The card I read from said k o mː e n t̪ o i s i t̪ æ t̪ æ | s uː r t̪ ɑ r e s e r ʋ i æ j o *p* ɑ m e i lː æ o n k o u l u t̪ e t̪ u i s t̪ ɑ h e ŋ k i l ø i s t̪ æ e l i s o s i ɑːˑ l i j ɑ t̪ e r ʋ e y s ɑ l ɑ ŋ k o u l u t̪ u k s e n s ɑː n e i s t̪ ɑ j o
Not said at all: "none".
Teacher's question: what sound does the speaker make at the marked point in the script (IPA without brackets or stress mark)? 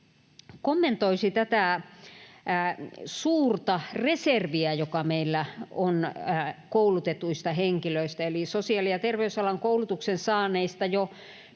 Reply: k